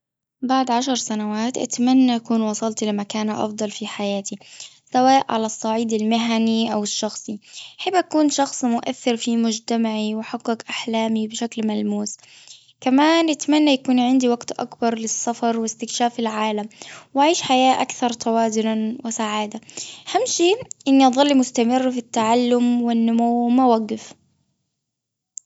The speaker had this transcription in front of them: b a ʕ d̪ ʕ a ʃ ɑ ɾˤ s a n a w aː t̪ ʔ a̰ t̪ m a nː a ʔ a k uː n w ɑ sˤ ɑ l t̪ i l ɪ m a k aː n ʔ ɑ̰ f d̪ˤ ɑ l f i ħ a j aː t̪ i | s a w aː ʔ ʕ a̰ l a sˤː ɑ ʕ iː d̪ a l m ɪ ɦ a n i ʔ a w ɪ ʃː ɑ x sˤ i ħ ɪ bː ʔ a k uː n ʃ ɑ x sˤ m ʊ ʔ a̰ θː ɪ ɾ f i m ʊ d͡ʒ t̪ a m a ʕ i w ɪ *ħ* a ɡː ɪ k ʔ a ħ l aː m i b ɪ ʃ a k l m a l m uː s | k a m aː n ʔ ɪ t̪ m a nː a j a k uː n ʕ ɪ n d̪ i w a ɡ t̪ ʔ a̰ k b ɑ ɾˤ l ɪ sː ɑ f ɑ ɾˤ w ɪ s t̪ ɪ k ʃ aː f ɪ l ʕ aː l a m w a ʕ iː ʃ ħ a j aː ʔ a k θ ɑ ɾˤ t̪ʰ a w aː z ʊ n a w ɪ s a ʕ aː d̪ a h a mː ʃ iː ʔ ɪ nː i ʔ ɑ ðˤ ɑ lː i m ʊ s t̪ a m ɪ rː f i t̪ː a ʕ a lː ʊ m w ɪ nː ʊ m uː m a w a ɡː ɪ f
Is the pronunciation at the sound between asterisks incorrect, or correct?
correct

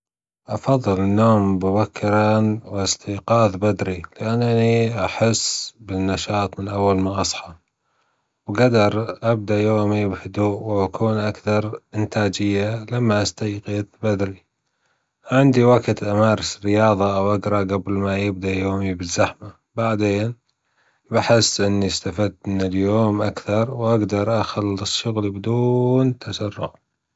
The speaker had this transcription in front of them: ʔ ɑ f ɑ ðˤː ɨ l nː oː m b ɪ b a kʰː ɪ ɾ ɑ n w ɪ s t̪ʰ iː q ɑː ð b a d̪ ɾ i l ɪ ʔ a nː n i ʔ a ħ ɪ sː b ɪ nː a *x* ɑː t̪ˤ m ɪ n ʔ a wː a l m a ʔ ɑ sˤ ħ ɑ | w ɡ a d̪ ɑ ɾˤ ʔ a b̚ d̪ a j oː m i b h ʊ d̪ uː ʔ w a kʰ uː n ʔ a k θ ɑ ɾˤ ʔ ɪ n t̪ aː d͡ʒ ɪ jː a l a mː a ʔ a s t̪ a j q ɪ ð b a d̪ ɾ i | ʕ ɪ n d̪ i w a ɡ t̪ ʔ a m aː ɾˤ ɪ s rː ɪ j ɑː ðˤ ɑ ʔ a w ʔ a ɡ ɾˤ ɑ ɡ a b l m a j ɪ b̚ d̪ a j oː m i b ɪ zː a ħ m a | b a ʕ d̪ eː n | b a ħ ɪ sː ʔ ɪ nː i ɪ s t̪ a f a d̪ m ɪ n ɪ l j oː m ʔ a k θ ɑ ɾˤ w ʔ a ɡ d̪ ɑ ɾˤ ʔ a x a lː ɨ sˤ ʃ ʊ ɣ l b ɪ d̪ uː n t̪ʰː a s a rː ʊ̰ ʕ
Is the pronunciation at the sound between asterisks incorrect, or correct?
incorrect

